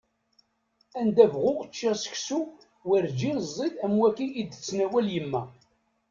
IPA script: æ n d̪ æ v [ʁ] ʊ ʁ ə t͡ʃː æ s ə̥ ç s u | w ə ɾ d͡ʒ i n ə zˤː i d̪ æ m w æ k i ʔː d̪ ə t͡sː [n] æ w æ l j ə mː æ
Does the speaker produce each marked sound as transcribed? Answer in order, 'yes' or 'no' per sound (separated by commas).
yes, yes